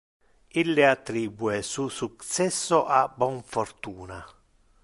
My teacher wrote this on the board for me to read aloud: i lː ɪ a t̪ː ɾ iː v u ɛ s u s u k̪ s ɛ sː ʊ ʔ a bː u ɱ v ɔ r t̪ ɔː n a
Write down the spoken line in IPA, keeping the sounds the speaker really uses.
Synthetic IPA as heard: i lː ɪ a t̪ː ɾ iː b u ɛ s u s u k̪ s ɛ sː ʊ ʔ a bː ɔ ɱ f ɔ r t̪ uː n a